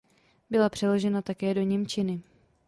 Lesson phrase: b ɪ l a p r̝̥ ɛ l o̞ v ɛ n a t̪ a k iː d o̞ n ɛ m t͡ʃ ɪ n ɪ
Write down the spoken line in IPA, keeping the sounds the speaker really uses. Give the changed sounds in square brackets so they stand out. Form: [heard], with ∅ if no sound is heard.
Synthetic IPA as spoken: b ɪ l a p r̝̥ ɛ l o̞ [ʒ] ɛ n a t̪ a k [ɛː] d o̞ [ɲ] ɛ m t͡ʃ ɪ n ɪ

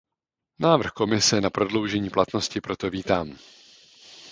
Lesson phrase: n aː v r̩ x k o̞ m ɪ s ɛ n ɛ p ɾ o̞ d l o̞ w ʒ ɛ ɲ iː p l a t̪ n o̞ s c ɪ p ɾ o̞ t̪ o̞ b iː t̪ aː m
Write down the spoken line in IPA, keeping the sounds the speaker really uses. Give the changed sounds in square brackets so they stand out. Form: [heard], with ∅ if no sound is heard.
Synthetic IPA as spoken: n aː v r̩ x k o̞ m ɪ s ɛ n [a] p ɾ o̞ d l o̞ w ʒ ɛ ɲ iː p l a t̪ n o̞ s c ɪ p ɾ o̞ t̪ o̞ [v] iː t̪ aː m

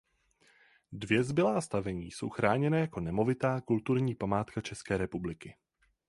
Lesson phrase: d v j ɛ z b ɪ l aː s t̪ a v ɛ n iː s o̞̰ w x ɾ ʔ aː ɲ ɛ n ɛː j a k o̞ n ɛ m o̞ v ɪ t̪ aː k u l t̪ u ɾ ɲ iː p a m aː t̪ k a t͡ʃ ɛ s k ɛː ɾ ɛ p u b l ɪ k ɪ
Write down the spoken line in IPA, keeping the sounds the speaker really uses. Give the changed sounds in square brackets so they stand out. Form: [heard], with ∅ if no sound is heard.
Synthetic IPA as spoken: d v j ɛ z b ɪ l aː s t̪ a v ɛ [ɲ] iː s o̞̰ w x ɾ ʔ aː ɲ ɛ n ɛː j a k o̞ n ɛ m o̞ v ɪ t̪ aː k u l t̪ u ɾ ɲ iː p a m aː t̪ k a t͡ʃ ɛ s k ɛː ɾ ɛ p u b l ɪ k ɪ

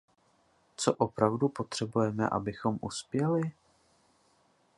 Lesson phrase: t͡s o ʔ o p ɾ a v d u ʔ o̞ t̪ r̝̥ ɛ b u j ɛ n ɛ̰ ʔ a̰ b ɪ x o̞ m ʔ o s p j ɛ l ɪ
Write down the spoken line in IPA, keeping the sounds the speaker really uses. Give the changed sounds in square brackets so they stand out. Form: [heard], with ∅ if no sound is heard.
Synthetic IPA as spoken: t͡s o ʔ o p ɾ a v d u [p] o̞ t̪ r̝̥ ɛ b u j ɛ [m] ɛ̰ ʔ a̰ b ɪ x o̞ m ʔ [u] s p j ɛ l ɪ

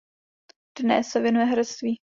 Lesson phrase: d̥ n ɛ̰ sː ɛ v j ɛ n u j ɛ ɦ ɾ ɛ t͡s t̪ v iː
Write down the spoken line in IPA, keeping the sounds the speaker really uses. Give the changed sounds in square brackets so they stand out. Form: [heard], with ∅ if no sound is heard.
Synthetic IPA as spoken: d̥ n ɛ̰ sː ɛ v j ɛ n u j ɛ ɦ ɾ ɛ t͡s t̪ v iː

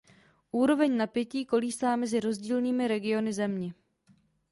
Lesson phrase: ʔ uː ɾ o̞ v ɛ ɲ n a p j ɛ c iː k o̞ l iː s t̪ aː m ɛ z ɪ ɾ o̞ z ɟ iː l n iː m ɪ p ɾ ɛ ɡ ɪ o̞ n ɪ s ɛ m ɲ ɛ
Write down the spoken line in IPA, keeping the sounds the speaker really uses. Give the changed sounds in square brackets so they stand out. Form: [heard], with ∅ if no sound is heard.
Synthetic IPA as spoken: ʔ uː ɾ o̞ v ɛ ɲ n a p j ɛ c iː k o̞ l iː s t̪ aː m ɛ z ɪ ɾ o̞ z ɟ iː l n iː m ɪ [∅] ɾ ɛ ɡ ɪ o̞ n ɪ [z] ɛ m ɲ ɛ

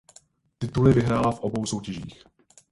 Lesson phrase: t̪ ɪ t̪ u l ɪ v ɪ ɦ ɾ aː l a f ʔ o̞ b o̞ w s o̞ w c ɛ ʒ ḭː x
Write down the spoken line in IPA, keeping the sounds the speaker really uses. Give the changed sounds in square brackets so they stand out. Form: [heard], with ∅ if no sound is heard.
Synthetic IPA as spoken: t̪ ɪ t̪ u l ɪ v ɪ ɦ ɾ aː l a f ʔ o̞ b o̞ w s o̞ w c ɛ ʒ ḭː x

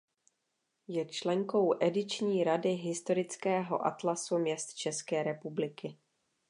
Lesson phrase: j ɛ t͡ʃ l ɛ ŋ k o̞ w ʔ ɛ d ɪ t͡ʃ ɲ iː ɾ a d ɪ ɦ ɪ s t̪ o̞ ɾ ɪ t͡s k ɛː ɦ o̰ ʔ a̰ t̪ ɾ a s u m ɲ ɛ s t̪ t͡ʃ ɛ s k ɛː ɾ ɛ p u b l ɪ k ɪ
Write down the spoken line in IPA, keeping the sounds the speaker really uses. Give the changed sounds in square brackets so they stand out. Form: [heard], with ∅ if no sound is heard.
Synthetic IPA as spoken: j ɛ t͡ʃ l ɛ ŋ k o̞ w ʔ ɛ d ɪ t͡ʃ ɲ iː ɾ a d ɪ ɦ ɪ s t̪ o̞ ɾ ɪ t͡s k ɛː ɦ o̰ ʔ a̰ t̪ [l] a s u m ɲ ɛ s t̪ t͡ʃ ɛ s k ɛː ɾ ɛ p u b l ɪ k ɪ

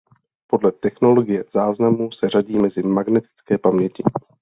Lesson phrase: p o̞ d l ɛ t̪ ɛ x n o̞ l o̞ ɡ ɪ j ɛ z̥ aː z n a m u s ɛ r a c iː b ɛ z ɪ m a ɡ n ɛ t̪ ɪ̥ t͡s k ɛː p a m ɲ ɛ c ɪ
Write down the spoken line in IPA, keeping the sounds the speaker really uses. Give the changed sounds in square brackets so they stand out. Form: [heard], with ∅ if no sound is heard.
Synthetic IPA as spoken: p o̞ d l ɛ t̪ ɛ x n o̞ l o̞ ɡ ɪ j ɛ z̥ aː z n a m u s ɛ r a [ɟ] iː [m] ɛ z ɪ m a ɡ n ɛ t̪ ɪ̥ t͡s k ɛː p a m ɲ ɛ c ɪ

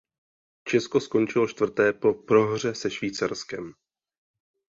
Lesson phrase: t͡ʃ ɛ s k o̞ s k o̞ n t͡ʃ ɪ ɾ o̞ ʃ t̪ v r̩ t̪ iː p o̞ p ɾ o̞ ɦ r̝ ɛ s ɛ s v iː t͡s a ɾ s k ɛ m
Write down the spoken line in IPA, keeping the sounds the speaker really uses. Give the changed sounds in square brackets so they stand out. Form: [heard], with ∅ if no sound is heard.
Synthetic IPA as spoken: t͡ʃ ɛ s k o̞ s k o̞ n t͡ʃ ɪ [l] o̞ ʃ t̪ v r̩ t̪ [ɛː] p o̞ p ɾ o̞ ɦ r̝ ɛ s ɛ [ʃ] v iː t͡s a ɾ s k ɛ m

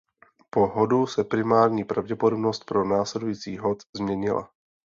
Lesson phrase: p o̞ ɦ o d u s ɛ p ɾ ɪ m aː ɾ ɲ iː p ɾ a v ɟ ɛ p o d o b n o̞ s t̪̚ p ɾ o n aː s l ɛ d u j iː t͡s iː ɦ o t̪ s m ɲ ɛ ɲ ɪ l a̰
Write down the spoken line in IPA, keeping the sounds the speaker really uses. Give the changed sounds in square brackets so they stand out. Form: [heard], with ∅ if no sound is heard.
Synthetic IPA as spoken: p o̞ ɦ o d u s ɛ p ɾ ɪ m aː ɾ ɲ iː p ɾ a v ɟ ɛ p o d o b n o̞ s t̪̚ p ɾ o n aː s l ɛ d u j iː t͡s iː ɦ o t̪ [z] m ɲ ɛ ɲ ɪ l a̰

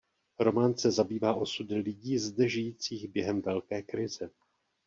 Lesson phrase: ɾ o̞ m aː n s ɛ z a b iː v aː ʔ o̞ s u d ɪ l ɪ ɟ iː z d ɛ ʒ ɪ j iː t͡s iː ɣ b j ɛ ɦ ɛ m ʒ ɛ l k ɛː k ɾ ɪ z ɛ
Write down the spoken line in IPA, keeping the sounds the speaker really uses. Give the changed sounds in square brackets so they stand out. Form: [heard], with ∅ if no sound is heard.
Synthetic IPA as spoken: ɾ o̞ m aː n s ɛ z a b iː v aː ʔ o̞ s u d ɪ l ɪ ɟ iː z d ɛ ʒ ɪ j iː t͡s iː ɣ b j ɛ ɦ ɛ m [v] ɛ l k ɛː k ɾ ɪ z ɛ

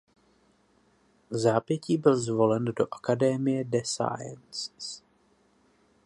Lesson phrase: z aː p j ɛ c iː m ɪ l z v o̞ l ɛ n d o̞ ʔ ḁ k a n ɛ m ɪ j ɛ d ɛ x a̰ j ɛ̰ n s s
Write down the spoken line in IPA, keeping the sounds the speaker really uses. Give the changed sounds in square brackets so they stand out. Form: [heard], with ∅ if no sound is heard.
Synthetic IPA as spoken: z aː p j ɛ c iː [b] ɪ l z v o̞ l ɛ n d o̞ ʔ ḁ k a [d] ɛ m ɪ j ɛ d ɛ [s] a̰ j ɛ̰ n s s

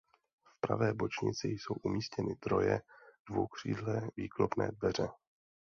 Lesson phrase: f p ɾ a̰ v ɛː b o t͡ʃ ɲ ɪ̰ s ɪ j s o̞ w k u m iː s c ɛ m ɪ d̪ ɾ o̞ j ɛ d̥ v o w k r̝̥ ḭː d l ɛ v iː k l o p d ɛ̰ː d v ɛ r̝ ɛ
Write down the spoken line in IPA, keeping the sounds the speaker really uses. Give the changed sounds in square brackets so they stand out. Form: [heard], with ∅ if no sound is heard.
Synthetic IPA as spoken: f p ɾ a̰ v ɛː b o t͡ʃ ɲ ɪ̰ [t͡s] ɪ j s o̞ w [ʔ] u m iː s c ɛ [n] ɪ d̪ ɾ o̞ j ɛ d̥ v o w k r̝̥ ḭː d l ɛ v iː k l o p [n] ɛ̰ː d v ɛ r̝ ɛ

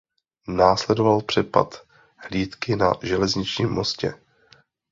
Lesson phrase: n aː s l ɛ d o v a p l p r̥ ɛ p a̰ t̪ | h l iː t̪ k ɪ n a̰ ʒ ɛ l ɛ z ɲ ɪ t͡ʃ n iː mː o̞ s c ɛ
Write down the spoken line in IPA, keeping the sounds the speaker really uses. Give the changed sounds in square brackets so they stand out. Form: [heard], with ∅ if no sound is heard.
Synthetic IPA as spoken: n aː s l ɛ d o v a [∅] l p r̥ ɛ p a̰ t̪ | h l iː t̪ k ɪ n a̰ ʒ ɛ l ɛ z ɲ ɪ t͡ʃ [ɲ] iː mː o̞ s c ɛ

